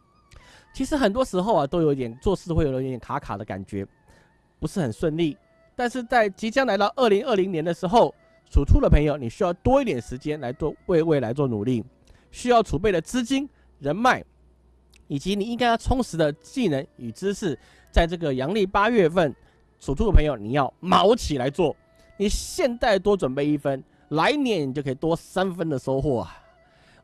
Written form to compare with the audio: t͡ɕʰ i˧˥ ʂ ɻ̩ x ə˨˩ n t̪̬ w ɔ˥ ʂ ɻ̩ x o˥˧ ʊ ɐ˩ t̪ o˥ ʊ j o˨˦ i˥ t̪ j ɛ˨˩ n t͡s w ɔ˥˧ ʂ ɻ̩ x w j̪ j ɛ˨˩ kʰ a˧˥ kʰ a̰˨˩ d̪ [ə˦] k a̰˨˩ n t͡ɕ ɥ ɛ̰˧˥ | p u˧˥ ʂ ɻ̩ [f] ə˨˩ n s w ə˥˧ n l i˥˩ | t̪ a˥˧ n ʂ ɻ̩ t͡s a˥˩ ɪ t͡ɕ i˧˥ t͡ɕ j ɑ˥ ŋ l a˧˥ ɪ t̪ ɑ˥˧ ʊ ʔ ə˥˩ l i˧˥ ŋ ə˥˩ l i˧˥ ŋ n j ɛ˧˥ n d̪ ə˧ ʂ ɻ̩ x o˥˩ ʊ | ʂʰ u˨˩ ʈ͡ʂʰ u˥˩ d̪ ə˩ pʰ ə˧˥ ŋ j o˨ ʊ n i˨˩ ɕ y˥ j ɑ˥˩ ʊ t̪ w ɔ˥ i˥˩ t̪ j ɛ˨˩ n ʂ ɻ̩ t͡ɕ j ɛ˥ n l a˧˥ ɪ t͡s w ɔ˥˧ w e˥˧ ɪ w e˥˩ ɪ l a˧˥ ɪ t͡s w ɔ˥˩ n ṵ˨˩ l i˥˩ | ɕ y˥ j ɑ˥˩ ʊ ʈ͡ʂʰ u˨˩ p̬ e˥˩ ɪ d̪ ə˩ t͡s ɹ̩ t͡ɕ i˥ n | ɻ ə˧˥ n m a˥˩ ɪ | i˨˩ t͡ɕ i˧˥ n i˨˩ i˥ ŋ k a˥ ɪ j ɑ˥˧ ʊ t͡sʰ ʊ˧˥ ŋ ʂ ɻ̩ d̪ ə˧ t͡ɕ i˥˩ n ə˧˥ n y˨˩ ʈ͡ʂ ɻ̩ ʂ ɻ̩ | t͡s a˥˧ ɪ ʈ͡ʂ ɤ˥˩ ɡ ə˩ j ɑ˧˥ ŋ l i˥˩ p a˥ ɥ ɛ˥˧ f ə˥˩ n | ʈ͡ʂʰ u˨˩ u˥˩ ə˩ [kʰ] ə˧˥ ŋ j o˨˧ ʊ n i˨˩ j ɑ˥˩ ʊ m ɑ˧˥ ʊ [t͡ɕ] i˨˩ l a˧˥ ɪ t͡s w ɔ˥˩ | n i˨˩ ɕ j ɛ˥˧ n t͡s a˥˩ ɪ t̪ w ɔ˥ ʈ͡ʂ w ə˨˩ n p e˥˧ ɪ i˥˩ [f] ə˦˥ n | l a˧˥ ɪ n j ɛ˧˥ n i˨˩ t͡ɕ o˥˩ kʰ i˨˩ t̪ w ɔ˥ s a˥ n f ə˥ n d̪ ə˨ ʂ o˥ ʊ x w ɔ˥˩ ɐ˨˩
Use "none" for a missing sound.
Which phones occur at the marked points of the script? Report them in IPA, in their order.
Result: ə˦, x, pʰ, t͡ɕʰ, f

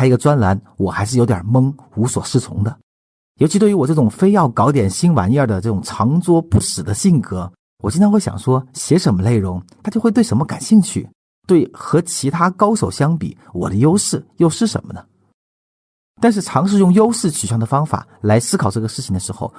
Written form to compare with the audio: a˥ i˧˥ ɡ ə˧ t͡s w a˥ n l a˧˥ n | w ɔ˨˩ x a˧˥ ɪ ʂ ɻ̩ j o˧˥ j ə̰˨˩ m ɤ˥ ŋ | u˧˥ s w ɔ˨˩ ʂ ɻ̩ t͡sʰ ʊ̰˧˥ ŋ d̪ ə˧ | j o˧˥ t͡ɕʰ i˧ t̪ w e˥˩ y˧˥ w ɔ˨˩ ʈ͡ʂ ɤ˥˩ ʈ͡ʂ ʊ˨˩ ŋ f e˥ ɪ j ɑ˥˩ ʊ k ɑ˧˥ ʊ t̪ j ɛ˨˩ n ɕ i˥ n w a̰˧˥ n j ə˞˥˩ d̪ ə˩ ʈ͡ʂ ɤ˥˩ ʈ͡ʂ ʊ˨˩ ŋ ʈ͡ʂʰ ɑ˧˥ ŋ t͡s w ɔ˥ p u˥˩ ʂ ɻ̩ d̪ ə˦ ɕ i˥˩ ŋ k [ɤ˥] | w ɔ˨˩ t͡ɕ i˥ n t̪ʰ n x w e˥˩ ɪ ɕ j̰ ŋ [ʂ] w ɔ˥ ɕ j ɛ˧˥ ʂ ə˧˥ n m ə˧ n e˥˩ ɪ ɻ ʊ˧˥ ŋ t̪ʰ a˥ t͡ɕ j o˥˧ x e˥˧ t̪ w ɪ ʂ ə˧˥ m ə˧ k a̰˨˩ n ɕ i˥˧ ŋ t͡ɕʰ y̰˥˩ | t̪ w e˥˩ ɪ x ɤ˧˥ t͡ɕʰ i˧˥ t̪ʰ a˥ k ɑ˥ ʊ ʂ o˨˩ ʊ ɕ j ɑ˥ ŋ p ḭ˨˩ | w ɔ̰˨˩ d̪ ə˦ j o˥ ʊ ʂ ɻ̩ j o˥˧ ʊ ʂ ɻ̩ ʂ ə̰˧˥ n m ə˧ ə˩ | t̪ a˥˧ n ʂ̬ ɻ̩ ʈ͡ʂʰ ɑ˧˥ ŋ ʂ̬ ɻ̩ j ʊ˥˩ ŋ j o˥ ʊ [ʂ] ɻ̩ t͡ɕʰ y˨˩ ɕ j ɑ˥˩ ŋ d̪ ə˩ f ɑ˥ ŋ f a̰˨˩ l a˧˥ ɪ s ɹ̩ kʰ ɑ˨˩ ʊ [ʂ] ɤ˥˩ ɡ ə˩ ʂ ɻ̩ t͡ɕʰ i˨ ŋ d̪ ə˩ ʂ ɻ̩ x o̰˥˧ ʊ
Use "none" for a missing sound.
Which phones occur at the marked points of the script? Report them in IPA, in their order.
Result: ɤ˧˥, ʂ, ʂ, ʈ͡ʂ

